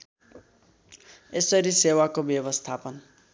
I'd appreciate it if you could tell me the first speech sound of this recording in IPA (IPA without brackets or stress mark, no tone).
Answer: e